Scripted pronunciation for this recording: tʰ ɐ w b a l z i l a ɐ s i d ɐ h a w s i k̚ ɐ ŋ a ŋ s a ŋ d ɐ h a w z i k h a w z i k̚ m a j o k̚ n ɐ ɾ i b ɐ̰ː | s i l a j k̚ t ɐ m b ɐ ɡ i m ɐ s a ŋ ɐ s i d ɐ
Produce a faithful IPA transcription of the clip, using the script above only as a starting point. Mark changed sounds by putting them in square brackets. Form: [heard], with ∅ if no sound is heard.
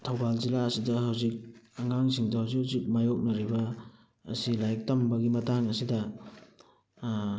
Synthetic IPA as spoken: tʰ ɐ w b a l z i l a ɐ s i d ɐ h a w [z] i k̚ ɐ ŋ a ŋ s [i] ŋ d ɐ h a w z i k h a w z i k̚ m a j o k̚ n ɐ ɾ i b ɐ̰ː | s i l a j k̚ t ɐ m b ɐ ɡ i m ɐ [t] a ŋ ɐ s i d ɐ